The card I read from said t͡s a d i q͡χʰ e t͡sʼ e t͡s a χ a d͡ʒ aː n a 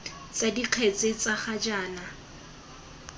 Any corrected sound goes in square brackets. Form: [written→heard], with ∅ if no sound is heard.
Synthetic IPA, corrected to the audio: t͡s a d i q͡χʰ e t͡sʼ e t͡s a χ a d͡ʒ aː n a